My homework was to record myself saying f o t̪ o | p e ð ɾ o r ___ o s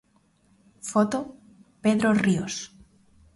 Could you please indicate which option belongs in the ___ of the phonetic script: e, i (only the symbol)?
i